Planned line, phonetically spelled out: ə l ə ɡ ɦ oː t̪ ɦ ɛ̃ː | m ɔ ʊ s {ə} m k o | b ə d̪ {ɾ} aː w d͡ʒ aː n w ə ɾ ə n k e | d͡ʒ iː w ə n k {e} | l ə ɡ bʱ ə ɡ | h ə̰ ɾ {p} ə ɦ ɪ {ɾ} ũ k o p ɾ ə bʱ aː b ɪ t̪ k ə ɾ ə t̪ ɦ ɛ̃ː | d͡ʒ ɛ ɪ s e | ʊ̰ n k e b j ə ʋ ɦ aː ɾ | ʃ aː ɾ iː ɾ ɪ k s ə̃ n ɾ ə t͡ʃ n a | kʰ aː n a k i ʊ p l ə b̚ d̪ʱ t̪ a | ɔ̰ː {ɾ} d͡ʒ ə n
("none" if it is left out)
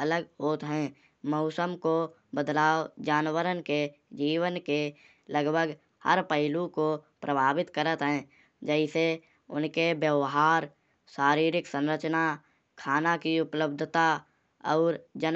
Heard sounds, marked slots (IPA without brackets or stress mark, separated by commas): ə, l, e, p, l, ɾ